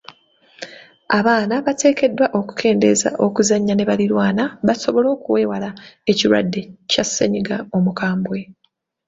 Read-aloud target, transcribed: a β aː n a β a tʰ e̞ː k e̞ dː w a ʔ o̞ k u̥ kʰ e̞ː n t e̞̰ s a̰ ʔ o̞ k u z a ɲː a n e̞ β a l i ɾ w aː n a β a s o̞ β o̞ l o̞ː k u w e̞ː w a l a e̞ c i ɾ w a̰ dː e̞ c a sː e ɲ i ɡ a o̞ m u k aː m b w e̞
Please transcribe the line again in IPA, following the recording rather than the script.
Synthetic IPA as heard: a β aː n a β a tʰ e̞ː k e̞ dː w a ʔ o̞ k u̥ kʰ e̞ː n d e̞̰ z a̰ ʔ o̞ k u z a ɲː a n e̞ β a l i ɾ w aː n a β a s o̞ β o̞ l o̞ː k u w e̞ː w a l a e̞ c i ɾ w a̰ dː e̞ c a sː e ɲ i ɡ a o̞ m u k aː m b w e̞